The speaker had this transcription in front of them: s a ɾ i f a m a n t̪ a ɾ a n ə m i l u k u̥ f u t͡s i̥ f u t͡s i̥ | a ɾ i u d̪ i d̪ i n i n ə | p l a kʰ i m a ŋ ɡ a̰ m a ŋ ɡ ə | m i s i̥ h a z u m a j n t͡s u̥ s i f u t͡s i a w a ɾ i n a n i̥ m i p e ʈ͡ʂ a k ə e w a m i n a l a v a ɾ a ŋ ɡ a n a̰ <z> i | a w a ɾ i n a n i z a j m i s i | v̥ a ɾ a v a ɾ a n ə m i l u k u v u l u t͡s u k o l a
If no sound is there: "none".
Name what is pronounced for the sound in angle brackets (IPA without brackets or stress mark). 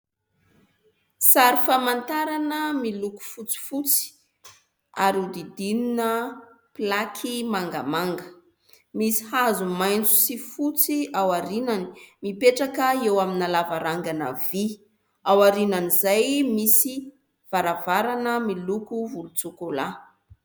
v